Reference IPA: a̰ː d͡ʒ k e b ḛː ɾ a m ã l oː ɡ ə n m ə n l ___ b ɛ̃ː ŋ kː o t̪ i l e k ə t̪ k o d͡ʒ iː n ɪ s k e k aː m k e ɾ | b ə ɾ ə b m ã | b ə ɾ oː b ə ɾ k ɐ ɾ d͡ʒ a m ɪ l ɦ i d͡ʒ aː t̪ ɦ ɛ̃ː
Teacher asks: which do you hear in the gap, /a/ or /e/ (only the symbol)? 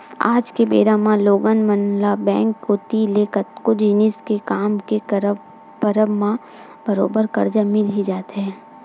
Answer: a